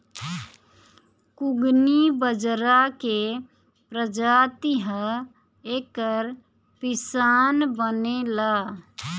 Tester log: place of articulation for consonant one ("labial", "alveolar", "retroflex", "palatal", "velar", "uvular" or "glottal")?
velar